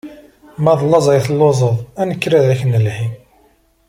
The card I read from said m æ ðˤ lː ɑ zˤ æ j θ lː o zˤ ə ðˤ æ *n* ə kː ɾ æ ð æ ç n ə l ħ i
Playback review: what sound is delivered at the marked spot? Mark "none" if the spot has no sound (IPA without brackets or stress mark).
n